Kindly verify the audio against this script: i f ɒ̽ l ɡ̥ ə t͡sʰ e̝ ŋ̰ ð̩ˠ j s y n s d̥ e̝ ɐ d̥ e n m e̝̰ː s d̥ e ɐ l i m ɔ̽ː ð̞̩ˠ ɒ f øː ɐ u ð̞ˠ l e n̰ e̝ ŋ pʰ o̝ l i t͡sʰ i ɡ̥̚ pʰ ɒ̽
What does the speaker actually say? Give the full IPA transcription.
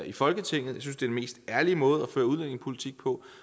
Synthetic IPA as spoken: i f ɒ̽ l ɡ̥ ə t͡sʰ e̝ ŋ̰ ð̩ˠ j s y n s d̥ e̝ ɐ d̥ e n m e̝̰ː s d̥ æ ɐ l i m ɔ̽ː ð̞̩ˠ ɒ f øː ɐ u ð̞ˠ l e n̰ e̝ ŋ pʰ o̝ l i t͡sʰ i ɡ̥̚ pʰ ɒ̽